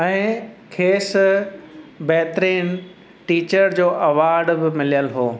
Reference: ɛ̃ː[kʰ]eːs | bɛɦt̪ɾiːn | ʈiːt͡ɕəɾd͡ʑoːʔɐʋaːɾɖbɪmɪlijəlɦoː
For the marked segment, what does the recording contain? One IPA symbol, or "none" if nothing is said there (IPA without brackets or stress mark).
kʰ